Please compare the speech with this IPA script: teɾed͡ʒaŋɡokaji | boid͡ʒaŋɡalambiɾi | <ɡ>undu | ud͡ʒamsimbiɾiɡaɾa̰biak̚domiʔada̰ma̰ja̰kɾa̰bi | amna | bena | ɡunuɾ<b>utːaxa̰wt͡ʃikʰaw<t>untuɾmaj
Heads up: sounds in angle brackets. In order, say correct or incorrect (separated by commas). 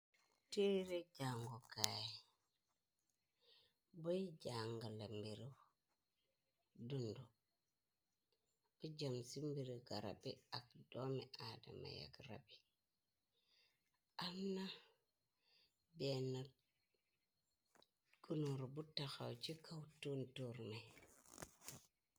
incorrect, correct, correct